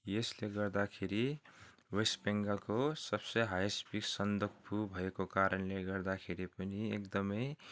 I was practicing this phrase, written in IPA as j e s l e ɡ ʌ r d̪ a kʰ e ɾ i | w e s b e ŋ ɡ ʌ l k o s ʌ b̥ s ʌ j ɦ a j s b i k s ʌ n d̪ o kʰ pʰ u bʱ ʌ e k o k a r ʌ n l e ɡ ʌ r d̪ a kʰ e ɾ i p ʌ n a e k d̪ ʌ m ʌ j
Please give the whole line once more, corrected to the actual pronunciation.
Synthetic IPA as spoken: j e s l e ɡ ʌ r d̪ a kʰ e ɾ i | w e s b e ŋ ɡ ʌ l k o s ʌ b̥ s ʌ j ɦ a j s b i k s ʌ n d̪ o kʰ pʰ u bʱ ʌ e k o k a ɾ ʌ n l e ɡ ʌ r d̪ a kʰ e ɾ i p ʌ n i e k d̪ ʌ m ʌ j

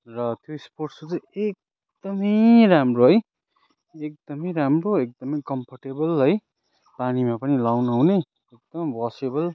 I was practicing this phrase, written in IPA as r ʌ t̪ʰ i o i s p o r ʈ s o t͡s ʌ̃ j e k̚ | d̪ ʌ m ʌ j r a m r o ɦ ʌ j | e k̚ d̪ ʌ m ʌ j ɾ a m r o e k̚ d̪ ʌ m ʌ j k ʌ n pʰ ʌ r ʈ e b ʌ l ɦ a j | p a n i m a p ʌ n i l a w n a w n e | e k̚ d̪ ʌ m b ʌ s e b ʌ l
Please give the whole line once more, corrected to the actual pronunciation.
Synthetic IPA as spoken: r ʌ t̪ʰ j o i s p o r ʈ s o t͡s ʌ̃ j e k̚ | d̪ ʌ m ʌ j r a m r o ɦ ʌ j | e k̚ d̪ ʌ m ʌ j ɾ a m r o e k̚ d̪ ʌ m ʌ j k ʌ m pʰ ʌ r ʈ e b ʌ l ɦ ʌ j | p a n i m a p ʌ n i l a w n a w n e | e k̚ d̪ ʌ m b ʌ s e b ʌ l

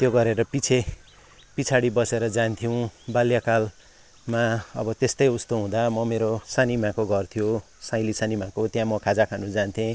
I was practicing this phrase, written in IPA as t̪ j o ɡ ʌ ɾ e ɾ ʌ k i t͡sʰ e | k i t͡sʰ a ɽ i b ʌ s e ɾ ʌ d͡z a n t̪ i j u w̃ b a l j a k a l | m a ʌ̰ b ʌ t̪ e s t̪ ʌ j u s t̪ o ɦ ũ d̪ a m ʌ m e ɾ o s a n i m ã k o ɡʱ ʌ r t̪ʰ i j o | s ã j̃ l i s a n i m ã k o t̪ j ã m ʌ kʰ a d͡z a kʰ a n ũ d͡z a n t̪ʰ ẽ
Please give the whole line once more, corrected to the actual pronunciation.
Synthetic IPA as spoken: t̪ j o ɡ ʌ ɾ e ɾ ʌ p i t͡sʰ e | p i t͡sʰ a ɽ i b ʌ s e ɾ ʌ d͡z a n t̪ʰ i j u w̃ b a l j a k a l | m a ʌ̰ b ʌ t̪ e s t̪ ʌ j u s t̪ o ɦ ũ d̪ a m ʌ m e ɾ o s a n i m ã k o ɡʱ ʌ r t̪ʰ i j o | s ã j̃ l i s a n i m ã k o t̪ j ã m ʌ kʰ a d͡z a kʰ a n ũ d͡z a n t̪ʰ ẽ

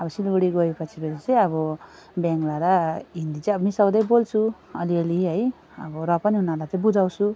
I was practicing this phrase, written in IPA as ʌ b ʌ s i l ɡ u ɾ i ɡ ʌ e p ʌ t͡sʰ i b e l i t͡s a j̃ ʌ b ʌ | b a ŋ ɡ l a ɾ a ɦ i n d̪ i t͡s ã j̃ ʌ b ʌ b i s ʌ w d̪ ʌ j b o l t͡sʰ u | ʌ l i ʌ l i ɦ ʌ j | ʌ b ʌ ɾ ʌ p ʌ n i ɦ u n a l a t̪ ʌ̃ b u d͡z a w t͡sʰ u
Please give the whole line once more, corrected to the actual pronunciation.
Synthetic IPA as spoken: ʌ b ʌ s i l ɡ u ɽ i ɡ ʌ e p ʌ t͡sʰ i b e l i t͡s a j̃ ʌ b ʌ | b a ŋ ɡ l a ɾ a ɦ i n d̪ i t͡s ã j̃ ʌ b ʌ m i s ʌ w d̪ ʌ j b o l t͡sʰ u | ʌ l i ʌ l i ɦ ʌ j | ʌ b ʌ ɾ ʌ p ʌ n i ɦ u n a l a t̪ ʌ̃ b u d͡z a w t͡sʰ u

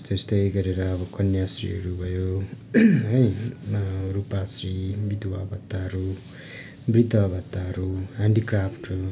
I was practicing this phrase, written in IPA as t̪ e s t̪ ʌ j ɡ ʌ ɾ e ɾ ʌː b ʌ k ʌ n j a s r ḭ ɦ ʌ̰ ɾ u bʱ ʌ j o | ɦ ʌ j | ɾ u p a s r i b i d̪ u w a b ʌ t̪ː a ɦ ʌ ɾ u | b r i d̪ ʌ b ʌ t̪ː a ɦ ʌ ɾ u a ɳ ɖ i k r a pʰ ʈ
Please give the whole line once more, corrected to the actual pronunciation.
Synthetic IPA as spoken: t̪ e s t̪ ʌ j ɡ ʌ ɾ e ɾ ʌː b ʌ k ʌ n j a s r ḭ ɦ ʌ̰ ɾ u bʱ ʌ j o | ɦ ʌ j | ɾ u p a s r i b i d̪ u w a b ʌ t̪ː a ɦ ʌ ɾ u | b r i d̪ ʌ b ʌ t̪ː a ɦ ʌ ɾ u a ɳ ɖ i k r a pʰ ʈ

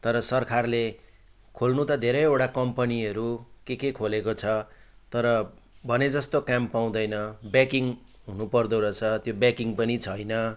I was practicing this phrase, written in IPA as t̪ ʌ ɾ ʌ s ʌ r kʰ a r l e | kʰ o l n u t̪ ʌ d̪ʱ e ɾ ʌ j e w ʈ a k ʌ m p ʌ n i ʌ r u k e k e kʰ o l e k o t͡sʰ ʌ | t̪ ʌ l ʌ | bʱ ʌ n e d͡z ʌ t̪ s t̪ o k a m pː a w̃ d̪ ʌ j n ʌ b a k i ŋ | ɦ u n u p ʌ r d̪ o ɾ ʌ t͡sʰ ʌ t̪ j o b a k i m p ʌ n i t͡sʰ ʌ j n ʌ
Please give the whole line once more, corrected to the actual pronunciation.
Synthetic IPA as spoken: t̪ ʌ ɾ ʌ s ʌ r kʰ a r l e | kʰ o l n u t̪ ʌ d̪ʱ e ɾ ʌ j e w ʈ a k ʌ m p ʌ n i ʌ ɾ u k e k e kʰ o l e k o t͡sʰ ʌ | t̪ ʌ ɾ ʌ | bʱ ʌ n e d͡z ʌ s t̪ o k a m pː a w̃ d̪ ʌ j n ʌ b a k i ŋ | ɦ u n u p ʌ r d̪ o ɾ ʌ t͡sʰ ʌ t̪ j o b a k i ŋ p ʌ n i t͡sʰ ʌ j n ʌ

